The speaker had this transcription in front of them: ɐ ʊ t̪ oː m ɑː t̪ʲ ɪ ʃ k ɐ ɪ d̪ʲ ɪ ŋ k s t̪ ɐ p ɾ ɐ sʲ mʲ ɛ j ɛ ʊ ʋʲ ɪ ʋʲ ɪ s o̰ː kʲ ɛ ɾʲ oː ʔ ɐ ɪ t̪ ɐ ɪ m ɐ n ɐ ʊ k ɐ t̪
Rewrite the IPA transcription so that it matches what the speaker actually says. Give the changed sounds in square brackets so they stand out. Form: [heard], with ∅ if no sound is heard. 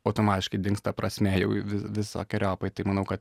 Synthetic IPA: ɐ ʊ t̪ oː m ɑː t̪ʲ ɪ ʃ k ɐ ɪ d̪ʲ ɪ ŋ k s t̪ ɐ p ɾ ɐ sʲ mʲ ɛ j ɛ ʊ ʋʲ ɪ ʋʲ ɪ s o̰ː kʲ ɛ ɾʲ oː [p] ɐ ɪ t̪ ɐ ɪ m ɐ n ɐ ʊ k ɐ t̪